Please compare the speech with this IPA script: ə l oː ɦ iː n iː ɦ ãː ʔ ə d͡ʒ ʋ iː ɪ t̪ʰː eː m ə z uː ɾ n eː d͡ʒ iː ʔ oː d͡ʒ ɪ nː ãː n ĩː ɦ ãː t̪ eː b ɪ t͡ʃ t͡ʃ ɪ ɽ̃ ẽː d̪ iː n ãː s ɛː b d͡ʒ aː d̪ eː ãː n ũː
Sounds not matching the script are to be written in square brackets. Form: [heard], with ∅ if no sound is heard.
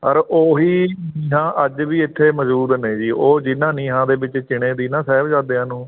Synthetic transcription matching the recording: ə [ɾ] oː ɦ iː n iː ɦ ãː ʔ ə d͡ʒ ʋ iː ɪ t̪ʰː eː m ə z uː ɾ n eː d͡ʒ iː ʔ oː d͡ʒ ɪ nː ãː n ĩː ɦ ãː [d̪] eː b ɪ t͡ʃ t͡ʃ ɪ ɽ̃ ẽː d̪ iː n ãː s ɛː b d͡ʒ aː d̪ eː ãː n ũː